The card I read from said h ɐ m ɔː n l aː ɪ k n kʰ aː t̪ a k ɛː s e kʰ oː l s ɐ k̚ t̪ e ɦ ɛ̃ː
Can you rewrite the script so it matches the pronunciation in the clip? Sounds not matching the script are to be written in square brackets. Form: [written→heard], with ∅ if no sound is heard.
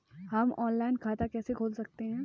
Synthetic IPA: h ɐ m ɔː n l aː ɪ [k→∅] n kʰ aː t̪ a k ɛː s e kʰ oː l s ɐ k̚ t̪ e ɦ ɛ̃ː